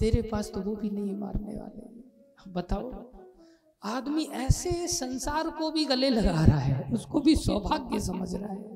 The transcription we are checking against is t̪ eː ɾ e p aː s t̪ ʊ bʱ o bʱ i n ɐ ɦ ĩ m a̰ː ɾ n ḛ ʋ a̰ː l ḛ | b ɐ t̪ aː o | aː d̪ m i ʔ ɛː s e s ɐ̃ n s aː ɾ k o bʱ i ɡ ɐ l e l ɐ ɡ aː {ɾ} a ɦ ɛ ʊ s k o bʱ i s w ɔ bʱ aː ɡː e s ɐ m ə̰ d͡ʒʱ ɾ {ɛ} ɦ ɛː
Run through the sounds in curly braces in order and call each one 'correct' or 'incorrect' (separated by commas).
correct, incorrect